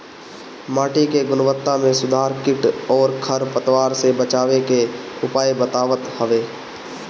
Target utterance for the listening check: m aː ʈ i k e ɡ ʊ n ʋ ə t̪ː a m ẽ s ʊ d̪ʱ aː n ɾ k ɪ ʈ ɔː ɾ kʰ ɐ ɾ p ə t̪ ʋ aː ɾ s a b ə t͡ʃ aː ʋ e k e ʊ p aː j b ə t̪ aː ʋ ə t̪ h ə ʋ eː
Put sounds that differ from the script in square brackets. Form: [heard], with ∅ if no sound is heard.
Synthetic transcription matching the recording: m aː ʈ i k e ɡ ʊ n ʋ ə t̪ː a m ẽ s ʊ d̪ʱ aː [∅] ɾ k ɪ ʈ ɔː ɾ kʰ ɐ ɾ p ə t̪ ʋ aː ɾ s [e] b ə t͡ʃ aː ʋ e k e ʊ p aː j b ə t̪ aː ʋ ə t̪ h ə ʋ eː

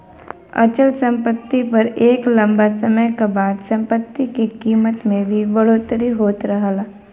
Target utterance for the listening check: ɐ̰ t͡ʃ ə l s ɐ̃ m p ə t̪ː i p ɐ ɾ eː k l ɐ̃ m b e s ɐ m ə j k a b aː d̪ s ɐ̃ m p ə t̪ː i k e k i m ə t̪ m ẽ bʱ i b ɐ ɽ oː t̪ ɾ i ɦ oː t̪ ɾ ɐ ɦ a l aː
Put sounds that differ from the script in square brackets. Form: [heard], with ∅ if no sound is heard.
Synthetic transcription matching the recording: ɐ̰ t͡ʃ ə l s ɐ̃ m p ə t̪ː i p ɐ ɾ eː k l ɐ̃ m b [a] s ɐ m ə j k a b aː d̪ s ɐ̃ m p ə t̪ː i k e k [iː] m ə t̪ m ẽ bʱ i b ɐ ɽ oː t̪ ɾ i ɦ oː t̪ ɾ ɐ ɦ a l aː

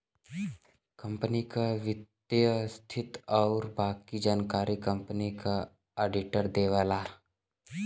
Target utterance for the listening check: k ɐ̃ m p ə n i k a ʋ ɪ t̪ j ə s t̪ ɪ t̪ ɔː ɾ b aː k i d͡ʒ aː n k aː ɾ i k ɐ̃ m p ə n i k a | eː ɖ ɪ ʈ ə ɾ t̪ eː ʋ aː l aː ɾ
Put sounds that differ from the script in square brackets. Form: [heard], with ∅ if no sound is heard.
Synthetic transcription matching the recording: k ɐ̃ m p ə n i k a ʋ ɪ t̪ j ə s [t̪ʰ] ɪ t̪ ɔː ɾ b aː k i d͡ʒ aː n k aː ɾ i k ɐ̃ m p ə n i k a | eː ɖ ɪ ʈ ə ɾ [d̪] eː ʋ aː l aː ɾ

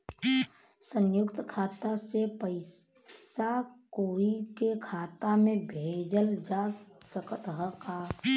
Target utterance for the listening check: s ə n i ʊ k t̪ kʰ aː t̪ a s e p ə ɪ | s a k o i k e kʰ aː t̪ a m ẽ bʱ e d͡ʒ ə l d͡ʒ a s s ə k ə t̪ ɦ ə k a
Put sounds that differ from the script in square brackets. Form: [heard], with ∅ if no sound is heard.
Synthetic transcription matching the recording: s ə n [j] ʊ k t̪ kʰ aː t̪ a s e p ə ɪ | s a k o i k e kʰ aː t̪ a m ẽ bʱ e d͡ʒ ə l d͡ʒ a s s ə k ə t̪ ɦ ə k a

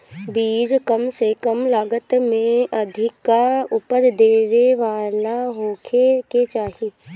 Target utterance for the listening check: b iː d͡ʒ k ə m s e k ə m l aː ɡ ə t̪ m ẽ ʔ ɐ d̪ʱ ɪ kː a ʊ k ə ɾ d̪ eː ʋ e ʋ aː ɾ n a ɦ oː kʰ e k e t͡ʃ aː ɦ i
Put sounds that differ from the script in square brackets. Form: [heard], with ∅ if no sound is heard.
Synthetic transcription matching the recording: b iː d͡ʒ k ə m s e k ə m l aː ɡ ə t̪ m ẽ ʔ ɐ d̪ʱ ɪ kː a ʊ [p] ə ɾ d̪ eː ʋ e ʋ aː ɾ n a ɦ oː kʰ e k e t͡ʃ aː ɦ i

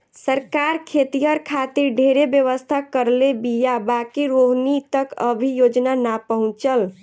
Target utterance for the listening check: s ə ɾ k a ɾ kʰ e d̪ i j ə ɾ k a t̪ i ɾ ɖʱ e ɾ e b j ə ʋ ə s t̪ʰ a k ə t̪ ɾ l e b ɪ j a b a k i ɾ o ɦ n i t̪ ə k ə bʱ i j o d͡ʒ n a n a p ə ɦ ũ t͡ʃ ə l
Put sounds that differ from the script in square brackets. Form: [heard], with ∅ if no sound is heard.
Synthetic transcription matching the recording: s ə ɾ k a ɾ kʰ e [t̪] i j ə ɾ [kʰ] a t̪ i ɾ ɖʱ e ɾ e b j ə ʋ ə s t̪ʰ a k ə [∅] ɾ l e b [i] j a b a k i ɾ o ɦ n i t̪ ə k ə bʱ i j o d͡ʒ n a n a p ə ɦ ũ t͡ʃ ə l

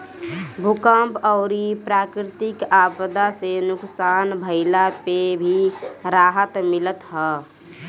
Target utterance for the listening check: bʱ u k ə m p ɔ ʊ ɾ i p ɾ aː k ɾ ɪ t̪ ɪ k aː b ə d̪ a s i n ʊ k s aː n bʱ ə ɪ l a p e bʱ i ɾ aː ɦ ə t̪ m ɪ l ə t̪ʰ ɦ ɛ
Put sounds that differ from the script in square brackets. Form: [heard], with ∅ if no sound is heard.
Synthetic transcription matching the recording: bʱ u k ə m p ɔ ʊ ɾ i p ɾ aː k ɾ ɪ t̪ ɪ k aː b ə d̪ a s [e] n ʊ k s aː n bʱ ə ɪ l a p e bʱ i ɾ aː ɦ ə t̪ m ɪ l ə [t̪] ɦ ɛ

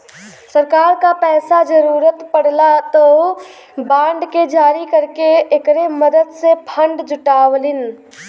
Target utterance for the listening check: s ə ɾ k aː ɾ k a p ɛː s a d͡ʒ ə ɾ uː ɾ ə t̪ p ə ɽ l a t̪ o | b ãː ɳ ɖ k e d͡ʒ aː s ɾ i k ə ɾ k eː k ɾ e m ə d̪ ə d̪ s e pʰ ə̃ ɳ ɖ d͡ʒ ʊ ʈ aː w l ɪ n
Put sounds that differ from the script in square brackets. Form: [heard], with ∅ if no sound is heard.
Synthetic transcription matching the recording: s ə ɾ k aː ɾ k a p ɛː s a d͡ʒ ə ɾ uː ɾ ə t̪ p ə ɽ l a t̪ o | b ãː ɳ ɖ k e d͡ʒ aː [∅] ɾ i k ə ɾ k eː k ɾ e m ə d̪ ə d̪ s e pʰ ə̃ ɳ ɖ d͡ʒ ʊ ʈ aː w l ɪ n

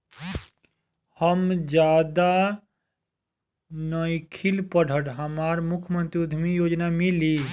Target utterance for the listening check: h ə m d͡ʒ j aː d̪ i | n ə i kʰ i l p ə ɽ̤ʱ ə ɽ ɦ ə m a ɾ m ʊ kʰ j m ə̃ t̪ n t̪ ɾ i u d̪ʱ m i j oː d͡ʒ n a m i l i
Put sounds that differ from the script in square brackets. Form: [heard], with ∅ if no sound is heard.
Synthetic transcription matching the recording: h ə m d͡ʒ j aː d̪ [a] | n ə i kʰ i l p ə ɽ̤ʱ ə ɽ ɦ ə m a ɾ m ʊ kʰ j m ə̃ [∅] n t̪ ɾ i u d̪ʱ m i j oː d͡ʒ n a m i l i

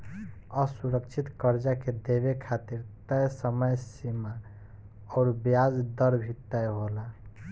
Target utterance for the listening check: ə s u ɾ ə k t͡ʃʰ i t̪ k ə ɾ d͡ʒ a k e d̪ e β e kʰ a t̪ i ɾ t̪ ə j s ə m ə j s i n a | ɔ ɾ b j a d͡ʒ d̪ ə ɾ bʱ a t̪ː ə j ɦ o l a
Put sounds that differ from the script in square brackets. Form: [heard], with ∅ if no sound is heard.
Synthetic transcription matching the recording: ə s u ɾ ə k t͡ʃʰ i t̪ k ə ɾ d͡ʒ a k e d̪ e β e kʰ a t̪ i ɾ t̪ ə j s ə m ə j s i [m] a | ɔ ɾ b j a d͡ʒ d̪ ə ɾ bʱ [i] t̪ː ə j ɦ o l a

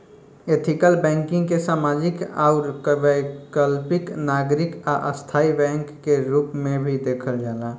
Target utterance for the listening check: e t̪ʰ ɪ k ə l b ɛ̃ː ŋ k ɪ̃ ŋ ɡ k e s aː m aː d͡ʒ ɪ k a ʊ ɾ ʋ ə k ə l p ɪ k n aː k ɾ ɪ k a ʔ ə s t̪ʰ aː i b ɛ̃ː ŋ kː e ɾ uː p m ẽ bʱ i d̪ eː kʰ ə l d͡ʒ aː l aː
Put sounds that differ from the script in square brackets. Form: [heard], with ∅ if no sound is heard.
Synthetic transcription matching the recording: e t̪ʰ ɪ k ə l b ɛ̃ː ŋ k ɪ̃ ŋ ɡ k e s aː m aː d͡ʒ ɪ k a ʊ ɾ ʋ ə k ə l p ɪ k n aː [ɡ] ɾ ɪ k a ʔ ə s t̪ʰ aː i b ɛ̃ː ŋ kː e ɾ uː p m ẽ bʱ i d̪ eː kʰ ə l d͡ʒ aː l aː

